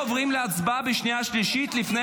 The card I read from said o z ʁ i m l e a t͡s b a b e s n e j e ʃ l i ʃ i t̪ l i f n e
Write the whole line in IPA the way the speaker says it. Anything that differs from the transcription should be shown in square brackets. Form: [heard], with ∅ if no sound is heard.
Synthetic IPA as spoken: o [v] ʁ i m l e a t͡s b a b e [ʃ] n [i] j [a] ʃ l i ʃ i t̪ l i f n e

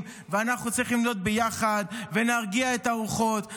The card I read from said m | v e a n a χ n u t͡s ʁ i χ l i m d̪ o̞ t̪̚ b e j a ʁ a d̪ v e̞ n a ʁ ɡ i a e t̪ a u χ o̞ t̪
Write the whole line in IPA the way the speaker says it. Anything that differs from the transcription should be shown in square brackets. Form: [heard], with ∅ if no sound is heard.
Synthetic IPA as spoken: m | v e a n a χ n u t͡s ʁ i χ l i m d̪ o̞ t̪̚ b e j a [χ] a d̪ v e̞ n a ʁ ɡ i a e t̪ a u χ o̞ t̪

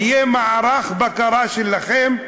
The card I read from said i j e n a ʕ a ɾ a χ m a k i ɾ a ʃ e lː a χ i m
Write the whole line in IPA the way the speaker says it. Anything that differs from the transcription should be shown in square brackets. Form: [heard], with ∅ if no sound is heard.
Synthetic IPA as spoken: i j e [m] a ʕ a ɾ a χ [b] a k [a] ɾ a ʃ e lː a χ [e] m

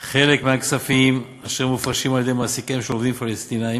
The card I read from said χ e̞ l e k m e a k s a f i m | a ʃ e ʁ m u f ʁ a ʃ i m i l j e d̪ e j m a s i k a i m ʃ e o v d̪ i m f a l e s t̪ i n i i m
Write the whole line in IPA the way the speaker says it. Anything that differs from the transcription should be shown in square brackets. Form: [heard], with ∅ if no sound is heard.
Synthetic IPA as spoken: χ e̞ l e k m e a k s a f i m | a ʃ e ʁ m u f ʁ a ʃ i m [a] l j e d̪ e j m a s i k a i m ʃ e o v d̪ i m f a l e s t̪ i n [a] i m

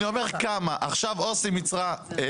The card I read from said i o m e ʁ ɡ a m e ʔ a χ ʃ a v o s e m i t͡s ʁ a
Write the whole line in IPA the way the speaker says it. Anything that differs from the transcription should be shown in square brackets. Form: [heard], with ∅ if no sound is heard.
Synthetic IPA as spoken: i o m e ʁ [k] a m [a] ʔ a χ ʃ a v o s [i] m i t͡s ʁ a

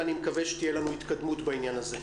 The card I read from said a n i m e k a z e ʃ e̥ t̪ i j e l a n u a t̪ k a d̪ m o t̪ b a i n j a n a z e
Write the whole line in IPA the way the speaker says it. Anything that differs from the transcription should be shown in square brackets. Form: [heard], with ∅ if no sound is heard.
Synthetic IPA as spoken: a n i m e k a [v] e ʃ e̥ t̪ i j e l a n u [i] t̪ k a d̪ m [u] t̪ b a i n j a n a z e

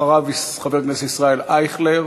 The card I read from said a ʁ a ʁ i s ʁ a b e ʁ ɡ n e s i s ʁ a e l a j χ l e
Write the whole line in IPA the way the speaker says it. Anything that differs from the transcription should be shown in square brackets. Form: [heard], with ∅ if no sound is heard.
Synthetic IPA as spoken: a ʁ a [v] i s [χ] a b e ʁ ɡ n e s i s ʁ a e l a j χ l e

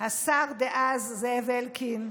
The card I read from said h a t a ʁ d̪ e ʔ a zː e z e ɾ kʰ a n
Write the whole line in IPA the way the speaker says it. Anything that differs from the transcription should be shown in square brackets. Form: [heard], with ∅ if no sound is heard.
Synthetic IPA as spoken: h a [s] a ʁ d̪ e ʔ a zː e [v] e [l] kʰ [i] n

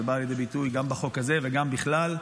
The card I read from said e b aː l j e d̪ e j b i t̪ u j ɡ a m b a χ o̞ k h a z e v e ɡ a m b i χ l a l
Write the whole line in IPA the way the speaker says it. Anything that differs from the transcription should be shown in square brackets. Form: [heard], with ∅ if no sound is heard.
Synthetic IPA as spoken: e b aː l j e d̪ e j b i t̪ u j ɡ a m b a χ o̞ k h a z e v e ɡ a m b i χ l a l

